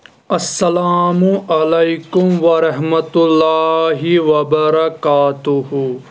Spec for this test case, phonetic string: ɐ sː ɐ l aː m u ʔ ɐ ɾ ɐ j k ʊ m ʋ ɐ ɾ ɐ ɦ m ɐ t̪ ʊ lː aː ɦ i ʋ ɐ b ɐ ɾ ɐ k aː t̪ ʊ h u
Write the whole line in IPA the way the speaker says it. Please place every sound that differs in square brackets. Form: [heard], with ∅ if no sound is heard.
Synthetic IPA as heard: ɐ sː ɐ l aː m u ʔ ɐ [l] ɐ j k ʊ m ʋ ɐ ɾ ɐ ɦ m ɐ t̪ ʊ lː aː ɦ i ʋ ɐ b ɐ ɾ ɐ k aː t̪ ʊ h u